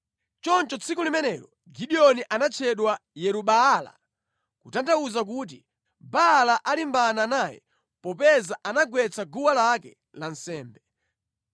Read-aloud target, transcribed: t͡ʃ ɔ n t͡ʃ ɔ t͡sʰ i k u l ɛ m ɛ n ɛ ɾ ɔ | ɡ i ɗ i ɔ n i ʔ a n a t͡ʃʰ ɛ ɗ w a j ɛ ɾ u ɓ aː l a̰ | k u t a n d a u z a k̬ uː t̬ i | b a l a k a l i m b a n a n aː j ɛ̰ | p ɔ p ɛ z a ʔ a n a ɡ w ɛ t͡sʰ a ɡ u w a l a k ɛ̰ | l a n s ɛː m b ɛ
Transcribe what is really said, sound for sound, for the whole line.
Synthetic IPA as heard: t͡ʃ ɔ n t͡ʃ ɔ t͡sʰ i k u l i m ɛ n ɛ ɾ ɔ | ɡ i ɗ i ɔ n i ʔ a n a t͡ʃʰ ɛ ɗ w a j ɛ ɾ u ɓ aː l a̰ | k u t a n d a u z a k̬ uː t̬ i | b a l a ʔ a l i m b a n a n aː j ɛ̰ | p ɔ p ɛ z a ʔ a n a ɡ w ɛ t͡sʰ a ɡ u w a l a k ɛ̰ | l a n s ɛː m b ɛ